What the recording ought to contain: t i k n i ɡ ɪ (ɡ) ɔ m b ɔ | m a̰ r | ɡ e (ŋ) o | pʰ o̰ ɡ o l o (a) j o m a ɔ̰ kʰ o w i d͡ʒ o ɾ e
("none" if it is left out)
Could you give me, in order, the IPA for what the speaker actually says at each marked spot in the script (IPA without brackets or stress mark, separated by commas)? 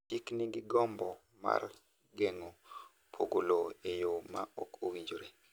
ɡ, ŋ, e